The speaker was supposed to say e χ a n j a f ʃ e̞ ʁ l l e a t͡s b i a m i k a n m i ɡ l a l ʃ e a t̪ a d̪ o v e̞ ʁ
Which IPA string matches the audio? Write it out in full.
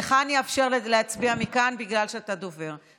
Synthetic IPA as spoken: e χ a n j a f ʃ e̞ ʁ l l e a t͡s b i a m i k a n b i ɡ l a l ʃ e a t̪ a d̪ o v e̞ ʁ